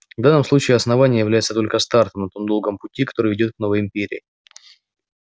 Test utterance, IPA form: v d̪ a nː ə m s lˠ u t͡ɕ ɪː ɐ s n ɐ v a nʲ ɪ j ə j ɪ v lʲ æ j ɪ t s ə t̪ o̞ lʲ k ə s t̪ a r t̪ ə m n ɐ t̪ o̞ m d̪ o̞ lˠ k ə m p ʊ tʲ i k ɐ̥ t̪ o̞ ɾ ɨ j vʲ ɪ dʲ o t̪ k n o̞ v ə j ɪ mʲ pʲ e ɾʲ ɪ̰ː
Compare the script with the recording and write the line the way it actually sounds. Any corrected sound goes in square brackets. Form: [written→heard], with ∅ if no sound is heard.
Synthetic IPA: v d̪ a nː ə m s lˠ u t͡ɕ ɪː ɐ s n ɐ v a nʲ ɪ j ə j ɪ v lʲ æ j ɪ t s ə t̪ o̞ lʲ k ə s t̪ a r t̪ ə m n ɐ t̪ o̞ m d̪ o̞ lˠ [k→ɡ] ə m p ʊ tʲ i k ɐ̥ t̪ o̞ ɾ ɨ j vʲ ɪ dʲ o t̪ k n o̞ v ə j ɪ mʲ pʲ e ɾʲ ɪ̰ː